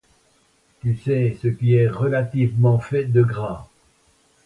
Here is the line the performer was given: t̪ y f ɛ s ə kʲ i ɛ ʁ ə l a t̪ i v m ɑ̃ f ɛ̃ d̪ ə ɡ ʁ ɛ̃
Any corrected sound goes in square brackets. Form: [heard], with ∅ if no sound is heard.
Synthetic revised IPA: t̪ y [s] ɛ s ə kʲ i ɛ ʁ ə l a t̪ i v m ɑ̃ f [ɛ] d̪ ə ɡ ʁ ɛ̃